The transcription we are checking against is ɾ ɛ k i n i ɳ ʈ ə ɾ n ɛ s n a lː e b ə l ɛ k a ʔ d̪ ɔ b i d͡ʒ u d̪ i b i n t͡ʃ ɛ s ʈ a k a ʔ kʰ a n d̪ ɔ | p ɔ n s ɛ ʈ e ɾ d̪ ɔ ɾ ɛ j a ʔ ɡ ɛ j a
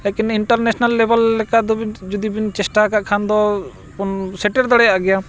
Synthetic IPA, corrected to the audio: l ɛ k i n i ɳ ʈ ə ɾ n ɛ s n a lː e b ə l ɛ k a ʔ d̪ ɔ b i d͡ʒ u d̪ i b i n t͡ʃ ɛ s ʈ a k a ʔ kʰ a n d̪ ɔ | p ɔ n s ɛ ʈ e ɾ d̪ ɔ ɽ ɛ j a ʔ ɡ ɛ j a